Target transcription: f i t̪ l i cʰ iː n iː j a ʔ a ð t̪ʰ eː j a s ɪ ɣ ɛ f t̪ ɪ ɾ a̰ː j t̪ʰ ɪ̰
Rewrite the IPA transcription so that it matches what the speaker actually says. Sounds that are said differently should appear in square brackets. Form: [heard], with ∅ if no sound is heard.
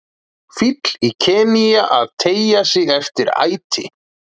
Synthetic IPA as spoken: f i t̪ l i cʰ [ɛː] n [i] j a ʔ a ð t̪ʰ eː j a s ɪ ɣ ɛ f t̪ ɪ ɾ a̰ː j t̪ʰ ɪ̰